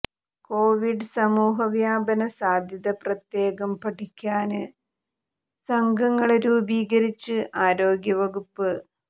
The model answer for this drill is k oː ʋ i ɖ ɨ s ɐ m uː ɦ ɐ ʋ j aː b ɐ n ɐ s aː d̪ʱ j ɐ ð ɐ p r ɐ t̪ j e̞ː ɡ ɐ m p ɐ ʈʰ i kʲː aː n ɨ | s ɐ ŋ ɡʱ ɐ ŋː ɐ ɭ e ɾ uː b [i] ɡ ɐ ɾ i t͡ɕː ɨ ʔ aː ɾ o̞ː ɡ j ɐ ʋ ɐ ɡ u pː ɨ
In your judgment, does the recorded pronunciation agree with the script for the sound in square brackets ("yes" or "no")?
no